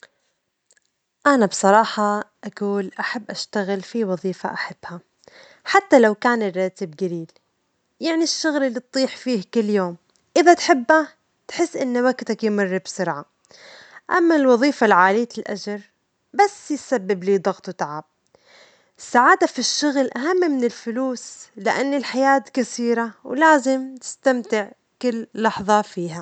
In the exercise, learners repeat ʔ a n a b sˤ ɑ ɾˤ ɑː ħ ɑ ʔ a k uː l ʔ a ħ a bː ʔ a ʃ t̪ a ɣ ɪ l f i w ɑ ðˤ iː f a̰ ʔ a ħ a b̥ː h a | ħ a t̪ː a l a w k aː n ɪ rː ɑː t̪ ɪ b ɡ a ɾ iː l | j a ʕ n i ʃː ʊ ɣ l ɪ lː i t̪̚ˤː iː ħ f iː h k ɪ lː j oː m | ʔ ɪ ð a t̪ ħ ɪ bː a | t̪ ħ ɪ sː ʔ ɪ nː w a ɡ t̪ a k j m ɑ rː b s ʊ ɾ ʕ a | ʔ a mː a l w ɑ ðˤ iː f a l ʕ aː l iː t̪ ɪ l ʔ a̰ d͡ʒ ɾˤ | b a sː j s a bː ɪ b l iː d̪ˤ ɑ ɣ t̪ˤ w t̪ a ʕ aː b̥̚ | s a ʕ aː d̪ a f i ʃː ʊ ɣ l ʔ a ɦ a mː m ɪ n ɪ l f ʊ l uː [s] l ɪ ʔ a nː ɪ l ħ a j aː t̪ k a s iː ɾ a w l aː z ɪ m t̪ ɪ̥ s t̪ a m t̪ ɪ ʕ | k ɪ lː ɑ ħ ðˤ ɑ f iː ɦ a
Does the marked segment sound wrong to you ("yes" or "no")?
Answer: no